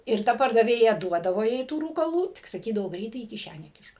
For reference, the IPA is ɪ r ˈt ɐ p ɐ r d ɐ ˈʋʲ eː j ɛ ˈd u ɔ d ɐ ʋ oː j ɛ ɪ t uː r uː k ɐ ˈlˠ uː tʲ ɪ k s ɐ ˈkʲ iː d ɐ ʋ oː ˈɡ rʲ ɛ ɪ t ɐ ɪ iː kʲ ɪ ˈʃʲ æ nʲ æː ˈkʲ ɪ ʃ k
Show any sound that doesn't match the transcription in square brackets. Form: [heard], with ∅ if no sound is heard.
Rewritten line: ɪ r ˈt ɐ p ɐ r d ɐ ˈʋʲ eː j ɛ ˈd u ɔ d ɐ ʋ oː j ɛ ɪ t uː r uː k ɐ ˈlˠ uː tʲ ɪ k s ɐ ˈkʲ iː d ɐ ʋ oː ˈɡ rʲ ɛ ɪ t ɐ ɪ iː kʲ ɪ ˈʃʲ æ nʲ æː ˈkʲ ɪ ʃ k